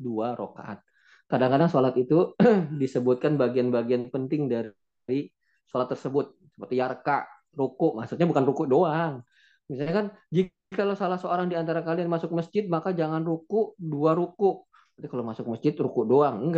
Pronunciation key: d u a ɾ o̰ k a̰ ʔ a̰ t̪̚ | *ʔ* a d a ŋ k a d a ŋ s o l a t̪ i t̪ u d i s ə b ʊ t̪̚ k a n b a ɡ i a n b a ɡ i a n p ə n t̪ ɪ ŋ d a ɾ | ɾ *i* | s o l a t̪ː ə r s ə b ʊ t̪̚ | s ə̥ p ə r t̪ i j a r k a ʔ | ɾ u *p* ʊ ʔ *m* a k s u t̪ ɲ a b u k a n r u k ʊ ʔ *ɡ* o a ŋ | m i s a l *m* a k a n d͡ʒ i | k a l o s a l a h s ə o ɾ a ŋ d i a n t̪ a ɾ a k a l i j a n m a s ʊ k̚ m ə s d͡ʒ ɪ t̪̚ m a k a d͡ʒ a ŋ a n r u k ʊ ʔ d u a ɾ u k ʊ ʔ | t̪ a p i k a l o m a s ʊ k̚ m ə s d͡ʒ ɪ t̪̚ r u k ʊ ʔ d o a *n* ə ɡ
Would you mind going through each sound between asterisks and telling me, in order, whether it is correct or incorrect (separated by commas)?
incorrect, correct, incorrect, correct, incorrect, incorrect, incorrect